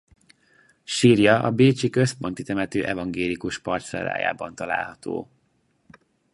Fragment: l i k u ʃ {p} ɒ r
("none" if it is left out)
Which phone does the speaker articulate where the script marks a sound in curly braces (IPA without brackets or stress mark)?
p